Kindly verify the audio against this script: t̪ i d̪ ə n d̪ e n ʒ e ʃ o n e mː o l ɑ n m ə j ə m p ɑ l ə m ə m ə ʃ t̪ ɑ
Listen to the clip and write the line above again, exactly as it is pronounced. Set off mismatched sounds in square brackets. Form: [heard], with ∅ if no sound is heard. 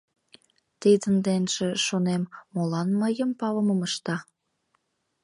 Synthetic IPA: t̪ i d̪ ə n d̪ e n ʒ e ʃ o n e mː o l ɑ n m ə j ə m p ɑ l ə m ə m ə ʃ t̪ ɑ